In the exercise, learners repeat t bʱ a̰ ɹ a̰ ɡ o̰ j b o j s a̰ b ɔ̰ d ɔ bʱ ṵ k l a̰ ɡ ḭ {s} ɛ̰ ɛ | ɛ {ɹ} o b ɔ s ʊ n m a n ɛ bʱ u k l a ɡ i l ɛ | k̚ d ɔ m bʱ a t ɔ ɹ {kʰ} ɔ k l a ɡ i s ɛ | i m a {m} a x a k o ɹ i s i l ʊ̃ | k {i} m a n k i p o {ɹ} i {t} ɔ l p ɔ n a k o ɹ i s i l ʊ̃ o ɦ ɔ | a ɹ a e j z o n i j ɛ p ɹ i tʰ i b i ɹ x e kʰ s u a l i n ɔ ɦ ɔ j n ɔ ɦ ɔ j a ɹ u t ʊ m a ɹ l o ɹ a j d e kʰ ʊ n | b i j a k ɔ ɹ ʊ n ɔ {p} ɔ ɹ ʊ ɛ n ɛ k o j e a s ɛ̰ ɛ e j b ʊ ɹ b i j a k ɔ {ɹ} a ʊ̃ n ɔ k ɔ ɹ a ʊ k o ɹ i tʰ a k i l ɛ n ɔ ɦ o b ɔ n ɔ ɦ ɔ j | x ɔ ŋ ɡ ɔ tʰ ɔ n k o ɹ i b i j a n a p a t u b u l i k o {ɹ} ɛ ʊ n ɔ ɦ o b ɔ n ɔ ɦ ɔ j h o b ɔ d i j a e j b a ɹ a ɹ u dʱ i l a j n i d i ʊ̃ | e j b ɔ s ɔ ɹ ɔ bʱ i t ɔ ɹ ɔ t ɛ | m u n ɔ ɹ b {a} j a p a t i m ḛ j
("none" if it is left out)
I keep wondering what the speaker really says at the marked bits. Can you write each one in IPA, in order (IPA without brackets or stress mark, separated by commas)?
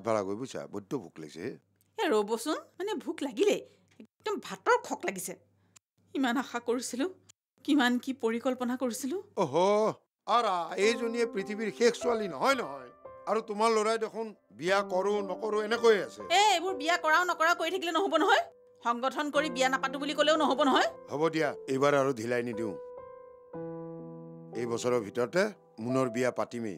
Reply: s, ɹ, kʰ, n, i, ɹ, k, k, ɹ, l, i